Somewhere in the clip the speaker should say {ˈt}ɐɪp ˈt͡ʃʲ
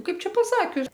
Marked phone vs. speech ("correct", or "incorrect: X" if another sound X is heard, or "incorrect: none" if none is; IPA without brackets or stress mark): incorrect: k